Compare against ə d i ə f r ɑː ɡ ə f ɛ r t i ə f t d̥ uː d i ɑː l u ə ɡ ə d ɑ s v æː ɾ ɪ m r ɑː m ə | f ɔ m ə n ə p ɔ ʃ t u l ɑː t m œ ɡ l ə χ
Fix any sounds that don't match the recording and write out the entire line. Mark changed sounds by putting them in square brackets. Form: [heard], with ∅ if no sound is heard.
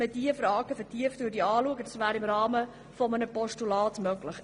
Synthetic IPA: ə d i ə f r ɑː ɡ ə f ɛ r t i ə f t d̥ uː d i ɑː l u ə ɡ ə d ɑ s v æː ɾ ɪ m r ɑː m ə | f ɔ m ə n ə p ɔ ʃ t u l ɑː t m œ ɡ l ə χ